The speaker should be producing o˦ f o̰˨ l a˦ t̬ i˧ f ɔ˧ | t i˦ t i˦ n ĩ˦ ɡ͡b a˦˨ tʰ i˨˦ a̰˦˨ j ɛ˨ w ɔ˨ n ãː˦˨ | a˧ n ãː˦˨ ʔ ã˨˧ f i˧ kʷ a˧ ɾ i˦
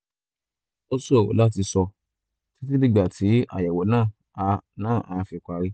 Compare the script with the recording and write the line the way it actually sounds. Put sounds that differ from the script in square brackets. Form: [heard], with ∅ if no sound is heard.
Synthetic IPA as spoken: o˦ [s] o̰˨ l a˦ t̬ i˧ [s] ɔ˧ | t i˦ t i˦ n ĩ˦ ɡ͡b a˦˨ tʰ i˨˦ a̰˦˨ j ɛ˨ w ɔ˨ n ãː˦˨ | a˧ n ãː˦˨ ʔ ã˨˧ f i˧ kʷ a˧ ɾ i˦